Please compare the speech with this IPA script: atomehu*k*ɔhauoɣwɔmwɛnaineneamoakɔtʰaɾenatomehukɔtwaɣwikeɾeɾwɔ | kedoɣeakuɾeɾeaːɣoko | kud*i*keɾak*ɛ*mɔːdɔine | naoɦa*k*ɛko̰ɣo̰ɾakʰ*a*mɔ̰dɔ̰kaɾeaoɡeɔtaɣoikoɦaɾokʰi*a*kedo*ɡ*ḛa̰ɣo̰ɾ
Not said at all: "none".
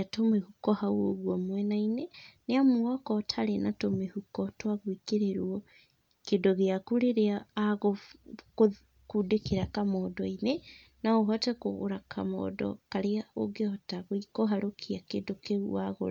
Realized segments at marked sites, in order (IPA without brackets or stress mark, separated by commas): k, e, a, t, a, a, k